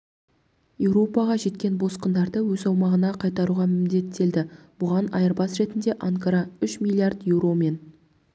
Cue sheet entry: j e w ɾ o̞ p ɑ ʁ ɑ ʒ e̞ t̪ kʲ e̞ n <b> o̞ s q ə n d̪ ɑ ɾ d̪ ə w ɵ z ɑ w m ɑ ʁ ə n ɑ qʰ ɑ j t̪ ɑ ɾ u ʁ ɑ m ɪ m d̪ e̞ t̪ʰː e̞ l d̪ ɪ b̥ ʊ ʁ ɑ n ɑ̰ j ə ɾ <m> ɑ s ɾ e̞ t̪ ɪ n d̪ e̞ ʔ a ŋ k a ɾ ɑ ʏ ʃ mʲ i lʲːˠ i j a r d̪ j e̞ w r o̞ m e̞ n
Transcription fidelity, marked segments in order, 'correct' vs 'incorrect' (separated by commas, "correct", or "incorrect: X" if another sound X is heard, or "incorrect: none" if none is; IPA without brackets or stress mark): correct, incorrect: b